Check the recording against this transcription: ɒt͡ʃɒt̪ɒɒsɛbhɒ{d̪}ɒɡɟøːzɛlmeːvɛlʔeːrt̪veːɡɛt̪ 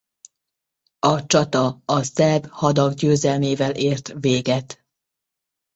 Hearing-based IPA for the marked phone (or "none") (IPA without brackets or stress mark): d̪